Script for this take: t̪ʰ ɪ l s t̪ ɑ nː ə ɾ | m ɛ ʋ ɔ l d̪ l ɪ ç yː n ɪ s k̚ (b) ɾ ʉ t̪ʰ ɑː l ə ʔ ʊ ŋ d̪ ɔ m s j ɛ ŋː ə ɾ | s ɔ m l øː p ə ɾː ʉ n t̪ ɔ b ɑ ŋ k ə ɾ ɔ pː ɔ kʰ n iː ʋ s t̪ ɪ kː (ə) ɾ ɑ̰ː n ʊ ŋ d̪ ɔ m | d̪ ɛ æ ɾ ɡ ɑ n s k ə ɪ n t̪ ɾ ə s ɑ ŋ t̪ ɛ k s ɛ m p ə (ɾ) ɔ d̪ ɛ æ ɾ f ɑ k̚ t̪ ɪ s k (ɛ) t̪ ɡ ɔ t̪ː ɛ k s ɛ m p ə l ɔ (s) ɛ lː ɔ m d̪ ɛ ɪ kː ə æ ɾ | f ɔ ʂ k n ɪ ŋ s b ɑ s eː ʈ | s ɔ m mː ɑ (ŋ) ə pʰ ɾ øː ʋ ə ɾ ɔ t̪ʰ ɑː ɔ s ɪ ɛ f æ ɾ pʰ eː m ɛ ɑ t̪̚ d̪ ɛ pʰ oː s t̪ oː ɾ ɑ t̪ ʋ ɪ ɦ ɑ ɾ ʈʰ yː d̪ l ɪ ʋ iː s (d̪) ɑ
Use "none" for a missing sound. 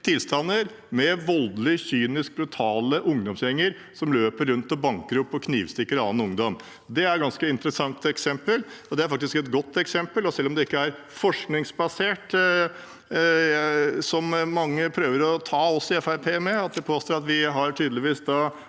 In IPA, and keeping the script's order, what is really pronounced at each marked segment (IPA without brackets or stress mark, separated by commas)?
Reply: b, ə, l, ɛ, s, ŋː, d̪